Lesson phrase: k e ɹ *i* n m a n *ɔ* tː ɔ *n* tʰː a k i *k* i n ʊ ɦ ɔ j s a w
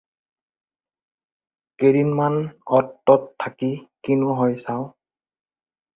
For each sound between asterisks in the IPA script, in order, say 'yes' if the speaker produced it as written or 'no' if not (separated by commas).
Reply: yes, yes, no, yes